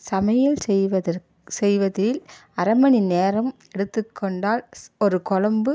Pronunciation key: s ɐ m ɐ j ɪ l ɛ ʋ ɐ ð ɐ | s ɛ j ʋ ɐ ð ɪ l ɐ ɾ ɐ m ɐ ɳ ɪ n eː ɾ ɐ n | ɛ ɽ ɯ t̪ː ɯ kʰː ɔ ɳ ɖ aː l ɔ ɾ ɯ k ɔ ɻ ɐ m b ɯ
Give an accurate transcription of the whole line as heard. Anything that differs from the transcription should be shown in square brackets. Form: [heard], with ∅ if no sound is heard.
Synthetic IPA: s ɐ m ɐ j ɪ l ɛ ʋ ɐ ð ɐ | s ɛ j ʋ ɐ ð ɪ l ɐ ɾ ɐ m ɐ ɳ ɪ n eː ɾ ɐ [m] | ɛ ɽ ɯ t̪ː ɯ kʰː ɔ ɳ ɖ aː l ɔ ɾ ɯ k ɔ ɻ ɐ m b ɯ